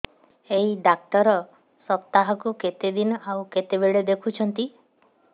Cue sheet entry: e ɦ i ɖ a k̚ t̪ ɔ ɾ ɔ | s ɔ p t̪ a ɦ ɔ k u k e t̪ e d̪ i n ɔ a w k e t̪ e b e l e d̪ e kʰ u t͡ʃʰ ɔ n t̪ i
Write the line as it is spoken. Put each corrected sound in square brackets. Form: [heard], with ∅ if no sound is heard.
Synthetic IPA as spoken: e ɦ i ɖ a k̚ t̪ ɔ ɾ ɔ | s ɔ p t̪ a ɦ ɔ k u k e t̪ e d̪ i n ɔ a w k e t̪ e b e [ɭ] e d̪ e kʰ u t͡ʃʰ ɔ n t̪ i